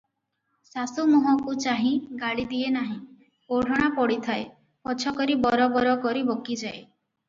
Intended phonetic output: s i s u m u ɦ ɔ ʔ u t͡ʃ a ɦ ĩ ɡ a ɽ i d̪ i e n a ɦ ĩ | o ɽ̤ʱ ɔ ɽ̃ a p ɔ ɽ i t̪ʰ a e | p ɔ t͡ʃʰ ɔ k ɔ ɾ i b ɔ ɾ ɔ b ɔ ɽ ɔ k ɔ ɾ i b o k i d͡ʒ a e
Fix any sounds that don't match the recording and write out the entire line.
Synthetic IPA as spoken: s a s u m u ɦ ɔ k u t͡ʃ a ɦ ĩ ɡ a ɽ i d̪ i e n a ɦ ĩ | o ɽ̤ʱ ɔ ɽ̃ a p ɔ ɽ i t̪ʰ a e | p ɔ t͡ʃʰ ɔ k ɔ ɾ i b ɔ ɾ ɔ b ɔ ɾ ɔ k ɔ ɾ i b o k i d͡ʒ a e